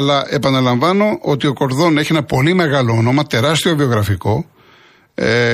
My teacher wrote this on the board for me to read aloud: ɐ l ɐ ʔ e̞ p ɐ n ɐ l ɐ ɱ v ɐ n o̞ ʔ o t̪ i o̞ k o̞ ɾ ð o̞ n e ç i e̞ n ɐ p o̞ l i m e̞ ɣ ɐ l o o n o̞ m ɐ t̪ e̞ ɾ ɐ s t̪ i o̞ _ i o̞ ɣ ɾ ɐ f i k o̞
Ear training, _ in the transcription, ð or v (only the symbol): v